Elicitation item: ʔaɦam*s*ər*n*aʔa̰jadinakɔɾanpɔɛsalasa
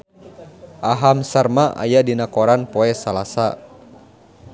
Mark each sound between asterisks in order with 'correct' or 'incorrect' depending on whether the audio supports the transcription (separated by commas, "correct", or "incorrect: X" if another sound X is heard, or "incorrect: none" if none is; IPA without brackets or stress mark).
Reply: correct, incorrect: m